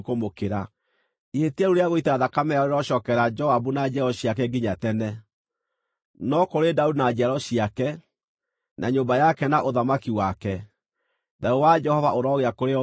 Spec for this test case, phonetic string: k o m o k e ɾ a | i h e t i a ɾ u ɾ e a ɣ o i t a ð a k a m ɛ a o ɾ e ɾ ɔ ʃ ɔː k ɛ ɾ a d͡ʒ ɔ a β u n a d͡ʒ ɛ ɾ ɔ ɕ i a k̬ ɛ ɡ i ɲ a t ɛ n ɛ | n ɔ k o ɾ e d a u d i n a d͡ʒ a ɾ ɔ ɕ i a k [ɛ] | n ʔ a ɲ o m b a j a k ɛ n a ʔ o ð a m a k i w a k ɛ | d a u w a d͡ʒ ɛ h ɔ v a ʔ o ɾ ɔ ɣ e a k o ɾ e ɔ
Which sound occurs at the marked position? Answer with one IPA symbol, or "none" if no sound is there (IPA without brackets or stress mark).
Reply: ɛ